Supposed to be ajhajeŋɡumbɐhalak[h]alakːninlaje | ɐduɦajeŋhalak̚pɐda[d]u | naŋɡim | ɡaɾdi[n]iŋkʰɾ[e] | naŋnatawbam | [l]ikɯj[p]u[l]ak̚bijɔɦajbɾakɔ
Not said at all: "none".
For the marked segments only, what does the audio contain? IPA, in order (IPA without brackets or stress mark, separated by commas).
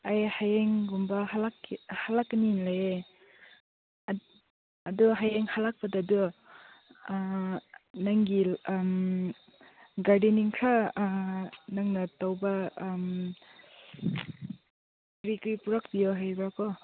h, d, n, a, ɾ, p, ɾ